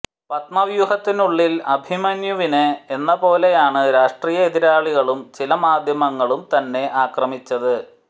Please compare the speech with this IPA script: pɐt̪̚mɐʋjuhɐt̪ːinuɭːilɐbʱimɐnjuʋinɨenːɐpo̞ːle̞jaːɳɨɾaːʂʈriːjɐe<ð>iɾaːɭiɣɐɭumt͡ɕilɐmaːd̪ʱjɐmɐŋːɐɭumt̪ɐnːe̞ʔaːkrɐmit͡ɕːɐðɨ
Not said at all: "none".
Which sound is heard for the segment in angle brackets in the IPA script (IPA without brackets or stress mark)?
ð